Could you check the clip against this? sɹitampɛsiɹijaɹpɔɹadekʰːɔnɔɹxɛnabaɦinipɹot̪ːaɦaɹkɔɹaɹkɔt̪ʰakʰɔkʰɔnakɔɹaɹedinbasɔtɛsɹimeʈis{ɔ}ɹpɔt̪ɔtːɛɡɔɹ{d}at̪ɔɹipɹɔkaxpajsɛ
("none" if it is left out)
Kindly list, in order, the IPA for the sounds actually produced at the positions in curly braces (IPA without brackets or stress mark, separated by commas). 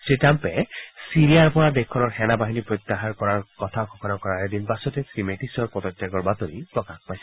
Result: ɔ, b